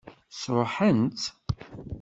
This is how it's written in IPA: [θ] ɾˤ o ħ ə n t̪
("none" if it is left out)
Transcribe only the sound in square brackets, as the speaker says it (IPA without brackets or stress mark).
s